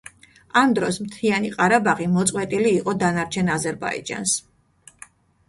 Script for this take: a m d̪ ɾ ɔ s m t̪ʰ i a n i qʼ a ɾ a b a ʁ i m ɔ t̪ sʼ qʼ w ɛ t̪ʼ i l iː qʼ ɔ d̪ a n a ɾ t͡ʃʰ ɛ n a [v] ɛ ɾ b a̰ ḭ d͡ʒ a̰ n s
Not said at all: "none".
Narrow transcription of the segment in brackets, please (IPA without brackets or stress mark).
z